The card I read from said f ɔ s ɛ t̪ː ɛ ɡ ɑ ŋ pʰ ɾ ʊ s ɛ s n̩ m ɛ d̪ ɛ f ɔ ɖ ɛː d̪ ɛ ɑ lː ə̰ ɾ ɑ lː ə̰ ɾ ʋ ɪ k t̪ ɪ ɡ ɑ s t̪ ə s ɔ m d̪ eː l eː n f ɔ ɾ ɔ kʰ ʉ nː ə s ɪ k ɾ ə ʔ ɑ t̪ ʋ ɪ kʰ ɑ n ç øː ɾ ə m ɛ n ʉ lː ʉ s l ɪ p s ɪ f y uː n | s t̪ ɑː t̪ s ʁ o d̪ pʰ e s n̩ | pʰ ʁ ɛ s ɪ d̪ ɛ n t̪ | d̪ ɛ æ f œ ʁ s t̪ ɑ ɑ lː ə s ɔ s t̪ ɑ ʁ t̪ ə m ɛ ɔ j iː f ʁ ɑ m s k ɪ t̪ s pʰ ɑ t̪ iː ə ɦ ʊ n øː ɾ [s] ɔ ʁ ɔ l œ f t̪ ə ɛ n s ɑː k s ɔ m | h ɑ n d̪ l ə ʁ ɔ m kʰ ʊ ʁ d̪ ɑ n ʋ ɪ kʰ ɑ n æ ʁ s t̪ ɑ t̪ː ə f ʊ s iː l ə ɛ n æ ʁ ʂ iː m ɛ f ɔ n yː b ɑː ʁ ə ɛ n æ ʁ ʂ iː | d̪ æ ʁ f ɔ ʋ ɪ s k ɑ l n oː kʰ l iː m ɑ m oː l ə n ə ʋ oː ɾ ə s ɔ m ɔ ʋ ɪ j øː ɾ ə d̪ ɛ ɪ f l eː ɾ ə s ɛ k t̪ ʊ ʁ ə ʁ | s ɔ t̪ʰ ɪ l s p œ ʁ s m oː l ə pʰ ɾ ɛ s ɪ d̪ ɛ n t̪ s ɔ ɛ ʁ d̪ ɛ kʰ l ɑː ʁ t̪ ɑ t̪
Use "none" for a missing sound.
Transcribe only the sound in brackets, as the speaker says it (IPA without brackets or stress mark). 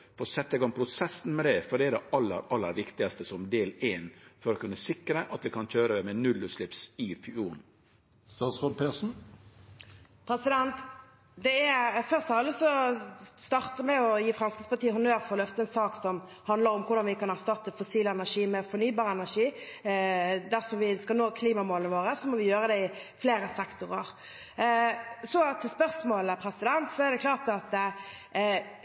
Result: f